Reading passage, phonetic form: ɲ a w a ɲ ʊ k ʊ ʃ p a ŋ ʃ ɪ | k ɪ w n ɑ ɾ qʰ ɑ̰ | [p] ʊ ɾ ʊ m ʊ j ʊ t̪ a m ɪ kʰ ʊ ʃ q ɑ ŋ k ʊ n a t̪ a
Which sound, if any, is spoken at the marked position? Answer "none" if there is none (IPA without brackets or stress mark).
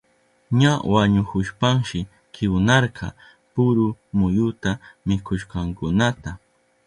p